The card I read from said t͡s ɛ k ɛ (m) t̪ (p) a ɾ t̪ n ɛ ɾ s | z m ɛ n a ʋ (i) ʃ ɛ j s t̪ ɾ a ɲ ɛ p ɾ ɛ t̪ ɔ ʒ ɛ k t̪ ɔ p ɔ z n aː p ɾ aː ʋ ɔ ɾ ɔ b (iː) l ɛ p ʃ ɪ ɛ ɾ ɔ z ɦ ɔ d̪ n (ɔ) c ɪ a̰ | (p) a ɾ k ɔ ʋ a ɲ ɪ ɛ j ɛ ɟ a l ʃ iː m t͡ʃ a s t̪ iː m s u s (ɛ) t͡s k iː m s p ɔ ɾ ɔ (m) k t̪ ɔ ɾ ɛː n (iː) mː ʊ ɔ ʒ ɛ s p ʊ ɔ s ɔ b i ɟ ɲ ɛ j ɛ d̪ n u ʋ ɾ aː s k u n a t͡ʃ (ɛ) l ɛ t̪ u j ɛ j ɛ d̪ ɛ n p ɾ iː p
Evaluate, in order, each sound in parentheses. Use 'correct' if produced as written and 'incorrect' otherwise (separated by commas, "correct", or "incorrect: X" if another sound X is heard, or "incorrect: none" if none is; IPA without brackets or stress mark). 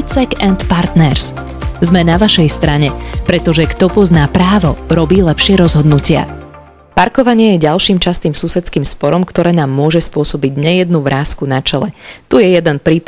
incorrect: n, correct, incorrect: a, correct, incorrect: u, correct, correct, correct, incorrect: aː, correct